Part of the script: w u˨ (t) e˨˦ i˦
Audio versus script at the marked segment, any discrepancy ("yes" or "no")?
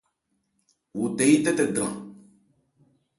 no